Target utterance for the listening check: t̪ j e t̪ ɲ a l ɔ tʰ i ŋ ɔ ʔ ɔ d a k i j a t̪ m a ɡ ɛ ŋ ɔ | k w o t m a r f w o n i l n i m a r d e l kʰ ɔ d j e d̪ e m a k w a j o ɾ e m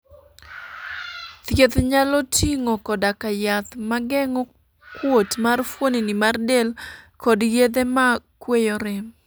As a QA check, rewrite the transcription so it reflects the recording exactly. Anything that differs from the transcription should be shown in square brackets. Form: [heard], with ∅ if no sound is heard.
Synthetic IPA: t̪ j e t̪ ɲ a l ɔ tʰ i ŋ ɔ [k] ɔ d a k [a] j a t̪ m a ɡ ɛ ŋ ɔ | k w o t m a r f w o n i [∅] n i m a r d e l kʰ ɔ d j e d̪ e m a k w [e] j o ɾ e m